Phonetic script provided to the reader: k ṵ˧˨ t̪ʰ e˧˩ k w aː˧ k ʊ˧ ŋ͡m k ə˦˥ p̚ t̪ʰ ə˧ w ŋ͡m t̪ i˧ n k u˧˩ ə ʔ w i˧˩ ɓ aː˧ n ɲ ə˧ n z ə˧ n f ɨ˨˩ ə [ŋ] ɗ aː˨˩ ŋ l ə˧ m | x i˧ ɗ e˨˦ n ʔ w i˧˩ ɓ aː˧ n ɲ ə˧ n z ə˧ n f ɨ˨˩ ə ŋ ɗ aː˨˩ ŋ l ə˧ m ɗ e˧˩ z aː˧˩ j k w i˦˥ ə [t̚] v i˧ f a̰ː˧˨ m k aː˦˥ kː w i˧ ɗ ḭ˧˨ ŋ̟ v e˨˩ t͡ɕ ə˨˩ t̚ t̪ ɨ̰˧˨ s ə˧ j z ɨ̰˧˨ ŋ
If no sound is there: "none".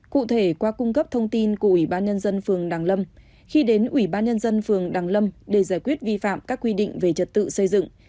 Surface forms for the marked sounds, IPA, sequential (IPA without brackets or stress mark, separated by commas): ŋ, t̚